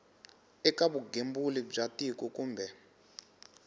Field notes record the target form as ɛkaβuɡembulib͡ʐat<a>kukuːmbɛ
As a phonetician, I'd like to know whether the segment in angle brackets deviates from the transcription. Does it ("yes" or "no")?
yes